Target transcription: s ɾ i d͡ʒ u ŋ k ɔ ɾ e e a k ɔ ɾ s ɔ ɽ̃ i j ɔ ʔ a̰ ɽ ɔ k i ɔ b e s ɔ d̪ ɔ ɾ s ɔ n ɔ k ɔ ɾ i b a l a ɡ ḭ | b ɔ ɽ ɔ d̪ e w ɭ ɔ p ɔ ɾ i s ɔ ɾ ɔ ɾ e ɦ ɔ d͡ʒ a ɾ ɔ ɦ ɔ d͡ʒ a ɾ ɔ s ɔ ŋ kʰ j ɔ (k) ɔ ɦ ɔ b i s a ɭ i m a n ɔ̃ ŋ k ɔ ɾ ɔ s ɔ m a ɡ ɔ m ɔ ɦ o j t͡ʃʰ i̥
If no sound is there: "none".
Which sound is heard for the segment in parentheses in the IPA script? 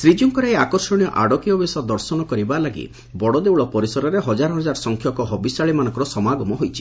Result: k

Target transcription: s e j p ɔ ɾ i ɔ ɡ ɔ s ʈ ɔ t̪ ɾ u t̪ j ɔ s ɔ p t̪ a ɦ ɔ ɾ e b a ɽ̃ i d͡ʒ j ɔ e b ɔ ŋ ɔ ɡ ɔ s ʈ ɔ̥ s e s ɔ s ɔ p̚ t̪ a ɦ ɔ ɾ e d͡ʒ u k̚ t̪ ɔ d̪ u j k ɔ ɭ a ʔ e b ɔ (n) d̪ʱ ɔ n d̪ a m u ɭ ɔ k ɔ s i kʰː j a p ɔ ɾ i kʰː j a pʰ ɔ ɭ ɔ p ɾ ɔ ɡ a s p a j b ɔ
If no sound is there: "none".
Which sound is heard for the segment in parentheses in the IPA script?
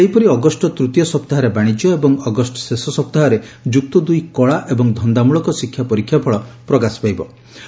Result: ŋ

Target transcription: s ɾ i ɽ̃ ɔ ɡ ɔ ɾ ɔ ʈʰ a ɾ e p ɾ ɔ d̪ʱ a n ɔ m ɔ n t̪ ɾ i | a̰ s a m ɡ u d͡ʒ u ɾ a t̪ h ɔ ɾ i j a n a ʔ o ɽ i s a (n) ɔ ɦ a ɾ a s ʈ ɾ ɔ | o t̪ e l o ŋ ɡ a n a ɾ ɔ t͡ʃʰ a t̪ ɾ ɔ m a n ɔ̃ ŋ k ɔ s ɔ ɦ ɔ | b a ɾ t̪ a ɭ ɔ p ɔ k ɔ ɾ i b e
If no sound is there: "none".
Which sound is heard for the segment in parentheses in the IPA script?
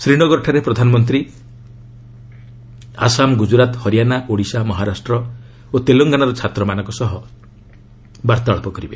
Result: m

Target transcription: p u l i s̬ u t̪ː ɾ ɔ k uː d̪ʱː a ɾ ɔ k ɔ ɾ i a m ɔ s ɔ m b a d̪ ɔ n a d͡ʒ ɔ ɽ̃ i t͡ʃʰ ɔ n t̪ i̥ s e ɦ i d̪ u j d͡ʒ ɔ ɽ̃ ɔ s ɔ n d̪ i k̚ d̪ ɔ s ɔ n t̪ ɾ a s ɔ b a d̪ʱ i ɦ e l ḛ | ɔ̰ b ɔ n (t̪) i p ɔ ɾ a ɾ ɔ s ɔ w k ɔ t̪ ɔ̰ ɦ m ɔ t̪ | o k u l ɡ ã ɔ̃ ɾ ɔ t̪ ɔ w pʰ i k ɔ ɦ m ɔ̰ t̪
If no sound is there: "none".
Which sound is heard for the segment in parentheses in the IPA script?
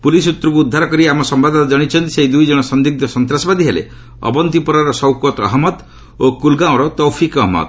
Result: t̪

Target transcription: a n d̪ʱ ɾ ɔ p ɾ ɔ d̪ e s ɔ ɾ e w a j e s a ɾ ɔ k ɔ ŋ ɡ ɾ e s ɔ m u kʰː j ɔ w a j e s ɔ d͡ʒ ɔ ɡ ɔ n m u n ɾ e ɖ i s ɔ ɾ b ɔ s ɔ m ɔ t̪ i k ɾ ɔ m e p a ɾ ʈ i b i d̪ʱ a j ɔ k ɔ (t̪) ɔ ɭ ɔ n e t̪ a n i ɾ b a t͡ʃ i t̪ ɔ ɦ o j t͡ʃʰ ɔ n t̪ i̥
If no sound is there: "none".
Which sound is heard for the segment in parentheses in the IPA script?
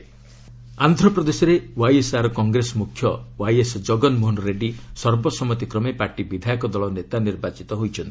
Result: d̪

